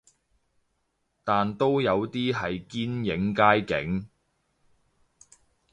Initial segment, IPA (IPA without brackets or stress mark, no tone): t̪